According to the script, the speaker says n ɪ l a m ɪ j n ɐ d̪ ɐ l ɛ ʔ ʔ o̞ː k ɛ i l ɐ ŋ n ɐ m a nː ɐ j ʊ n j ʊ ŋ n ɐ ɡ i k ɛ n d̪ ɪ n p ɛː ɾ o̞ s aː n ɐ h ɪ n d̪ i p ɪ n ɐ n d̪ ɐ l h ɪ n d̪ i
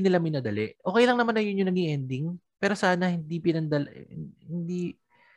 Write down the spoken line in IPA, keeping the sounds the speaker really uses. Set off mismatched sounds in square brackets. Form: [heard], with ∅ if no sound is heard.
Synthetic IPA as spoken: n ɪ l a m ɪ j n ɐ d̪ ɐ l ɛ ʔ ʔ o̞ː k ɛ [j] l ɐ ŋ n ɐ m a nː ɐ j ʊ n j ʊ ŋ n ɐ ɡ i [ʔ] ɛ n d̪ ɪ [ŋ] p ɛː ɾ o̞ s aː n ɐ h ɪ n d̪ i p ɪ n ɐ n d̪ ɐ l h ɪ n d̪ i